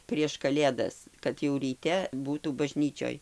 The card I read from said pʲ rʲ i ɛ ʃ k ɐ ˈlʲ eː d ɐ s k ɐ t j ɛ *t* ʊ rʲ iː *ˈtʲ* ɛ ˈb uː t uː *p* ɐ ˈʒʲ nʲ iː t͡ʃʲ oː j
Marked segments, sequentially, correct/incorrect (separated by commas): incorrect, correct, incorrect